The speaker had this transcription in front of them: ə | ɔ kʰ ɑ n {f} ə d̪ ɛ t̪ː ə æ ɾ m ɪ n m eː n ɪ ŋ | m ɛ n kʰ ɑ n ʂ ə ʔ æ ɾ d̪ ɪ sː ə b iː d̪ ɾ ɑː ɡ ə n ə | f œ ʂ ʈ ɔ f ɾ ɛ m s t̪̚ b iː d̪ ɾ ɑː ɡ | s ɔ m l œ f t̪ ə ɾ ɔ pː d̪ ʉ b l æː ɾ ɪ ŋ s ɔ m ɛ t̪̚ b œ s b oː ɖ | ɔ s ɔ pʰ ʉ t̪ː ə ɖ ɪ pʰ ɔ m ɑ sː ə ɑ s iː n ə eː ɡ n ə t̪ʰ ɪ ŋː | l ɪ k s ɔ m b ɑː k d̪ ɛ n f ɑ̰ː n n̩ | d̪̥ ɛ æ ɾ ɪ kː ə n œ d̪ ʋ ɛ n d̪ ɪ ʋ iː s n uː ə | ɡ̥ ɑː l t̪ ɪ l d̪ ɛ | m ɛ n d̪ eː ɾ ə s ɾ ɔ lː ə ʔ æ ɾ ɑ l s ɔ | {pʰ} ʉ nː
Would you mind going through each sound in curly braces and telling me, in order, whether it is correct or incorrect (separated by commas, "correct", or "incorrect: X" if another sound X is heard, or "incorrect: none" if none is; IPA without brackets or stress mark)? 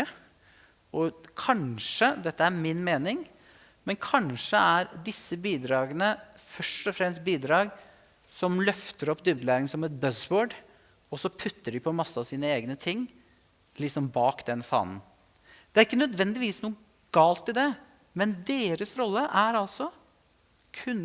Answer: incorrect: ʂ, incorrect: kʰ